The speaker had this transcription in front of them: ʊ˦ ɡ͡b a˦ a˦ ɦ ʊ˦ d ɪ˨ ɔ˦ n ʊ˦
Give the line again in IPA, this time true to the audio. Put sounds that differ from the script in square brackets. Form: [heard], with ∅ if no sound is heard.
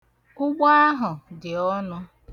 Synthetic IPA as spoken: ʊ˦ ɡ͡b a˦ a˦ ɦ [ʊ˨] d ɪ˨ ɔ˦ n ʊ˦